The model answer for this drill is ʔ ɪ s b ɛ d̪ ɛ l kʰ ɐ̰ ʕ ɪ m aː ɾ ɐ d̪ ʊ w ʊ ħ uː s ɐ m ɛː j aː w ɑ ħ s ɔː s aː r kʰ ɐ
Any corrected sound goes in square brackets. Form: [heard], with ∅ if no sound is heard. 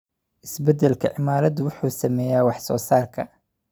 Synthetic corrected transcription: ʔ ɪ s b ɛ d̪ ɛ l kʰ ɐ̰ ʕ ɪ m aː ɾ ɐ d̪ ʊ w ʊ ħ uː s ɐ m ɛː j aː w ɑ ħ s ɔː s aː r kʰ ɐ